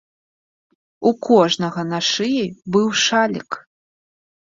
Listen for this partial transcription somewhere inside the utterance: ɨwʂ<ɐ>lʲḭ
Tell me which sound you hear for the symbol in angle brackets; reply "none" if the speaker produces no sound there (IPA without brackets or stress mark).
a